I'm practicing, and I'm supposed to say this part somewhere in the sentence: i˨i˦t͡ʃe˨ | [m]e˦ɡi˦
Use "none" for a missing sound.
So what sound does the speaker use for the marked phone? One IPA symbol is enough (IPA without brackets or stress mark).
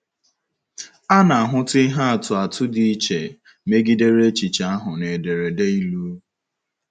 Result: m